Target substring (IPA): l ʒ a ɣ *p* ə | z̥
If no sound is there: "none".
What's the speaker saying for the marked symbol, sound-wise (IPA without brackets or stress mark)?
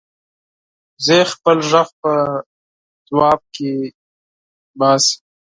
p